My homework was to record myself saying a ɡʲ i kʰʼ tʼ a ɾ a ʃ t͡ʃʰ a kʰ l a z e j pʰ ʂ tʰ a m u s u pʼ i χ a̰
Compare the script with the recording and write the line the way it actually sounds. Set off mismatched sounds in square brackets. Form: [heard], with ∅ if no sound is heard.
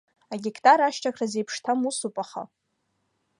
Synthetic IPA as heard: a ɡʲ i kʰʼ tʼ a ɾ a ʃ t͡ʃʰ a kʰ [r] a z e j pʰ ʂ tʰ a m u s u pʼ [a] χ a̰